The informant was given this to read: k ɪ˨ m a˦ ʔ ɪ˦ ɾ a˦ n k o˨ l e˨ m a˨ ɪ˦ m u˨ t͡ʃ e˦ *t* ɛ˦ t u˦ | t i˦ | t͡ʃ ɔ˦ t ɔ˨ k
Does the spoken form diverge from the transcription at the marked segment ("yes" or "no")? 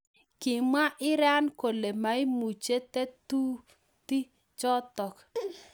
no